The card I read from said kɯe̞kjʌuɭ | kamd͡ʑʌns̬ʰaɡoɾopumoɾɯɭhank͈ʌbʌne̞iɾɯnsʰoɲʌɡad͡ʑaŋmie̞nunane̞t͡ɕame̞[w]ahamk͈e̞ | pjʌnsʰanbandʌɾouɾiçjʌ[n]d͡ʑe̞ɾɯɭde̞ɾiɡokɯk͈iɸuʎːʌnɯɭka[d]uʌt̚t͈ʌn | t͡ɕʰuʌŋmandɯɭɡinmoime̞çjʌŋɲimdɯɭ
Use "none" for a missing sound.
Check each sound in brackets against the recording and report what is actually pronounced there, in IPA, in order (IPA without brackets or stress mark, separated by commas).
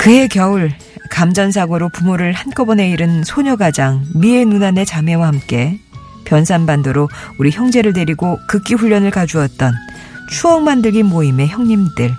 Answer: w, ŋ, d͡ʑ